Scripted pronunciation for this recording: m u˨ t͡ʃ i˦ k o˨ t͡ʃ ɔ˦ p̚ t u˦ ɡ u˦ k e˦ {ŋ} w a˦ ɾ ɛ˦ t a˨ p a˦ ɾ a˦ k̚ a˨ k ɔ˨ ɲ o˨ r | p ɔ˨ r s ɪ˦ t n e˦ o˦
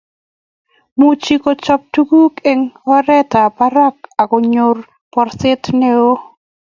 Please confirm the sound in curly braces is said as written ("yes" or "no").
yes